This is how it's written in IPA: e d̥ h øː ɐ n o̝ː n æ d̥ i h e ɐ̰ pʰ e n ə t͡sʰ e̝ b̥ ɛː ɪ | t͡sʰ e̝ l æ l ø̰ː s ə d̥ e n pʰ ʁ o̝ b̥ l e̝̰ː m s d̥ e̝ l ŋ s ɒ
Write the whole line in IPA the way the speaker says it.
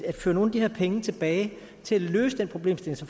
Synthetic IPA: æ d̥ f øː ɐ n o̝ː n æ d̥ i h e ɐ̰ pʰ e ŋ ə t͡sʰ e̝ b̥ ɛː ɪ | t͡sʰ e̝ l æ l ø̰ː s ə d̥ e n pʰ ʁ o̝ b̥ l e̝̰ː m s d̥ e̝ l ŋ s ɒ